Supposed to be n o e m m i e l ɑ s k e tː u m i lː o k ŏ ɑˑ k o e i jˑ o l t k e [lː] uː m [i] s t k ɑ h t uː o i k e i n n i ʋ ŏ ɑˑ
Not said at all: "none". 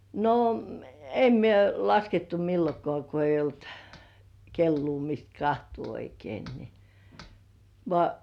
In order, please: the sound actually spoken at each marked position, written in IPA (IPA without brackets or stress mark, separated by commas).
lː, i